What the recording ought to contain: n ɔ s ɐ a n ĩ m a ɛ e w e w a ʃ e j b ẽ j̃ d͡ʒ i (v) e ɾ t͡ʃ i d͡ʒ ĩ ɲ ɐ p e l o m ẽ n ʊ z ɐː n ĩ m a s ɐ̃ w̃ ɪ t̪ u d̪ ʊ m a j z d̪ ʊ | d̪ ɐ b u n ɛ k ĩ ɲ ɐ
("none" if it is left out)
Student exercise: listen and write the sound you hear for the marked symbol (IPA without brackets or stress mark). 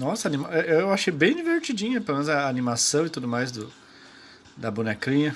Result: v